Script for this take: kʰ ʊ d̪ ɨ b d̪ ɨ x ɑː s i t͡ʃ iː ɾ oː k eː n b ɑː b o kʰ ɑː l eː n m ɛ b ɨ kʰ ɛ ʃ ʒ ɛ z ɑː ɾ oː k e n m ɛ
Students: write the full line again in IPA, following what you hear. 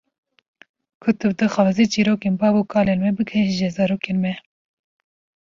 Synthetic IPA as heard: kʰ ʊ t̪ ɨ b d̪ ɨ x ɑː z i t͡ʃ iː ɾ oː k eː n b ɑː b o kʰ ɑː l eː n m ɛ b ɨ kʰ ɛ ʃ ʒ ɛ z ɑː ɾ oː k e n m ɛ